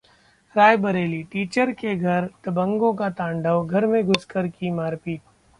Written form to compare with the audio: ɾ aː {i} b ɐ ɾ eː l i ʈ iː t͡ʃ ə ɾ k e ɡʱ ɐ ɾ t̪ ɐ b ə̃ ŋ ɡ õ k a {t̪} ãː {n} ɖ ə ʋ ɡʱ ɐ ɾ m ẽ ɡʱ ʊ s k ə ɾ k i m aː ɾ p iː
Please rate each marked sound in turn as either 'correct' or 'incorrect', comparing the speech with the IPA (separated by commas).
incorrect, correct, incorrect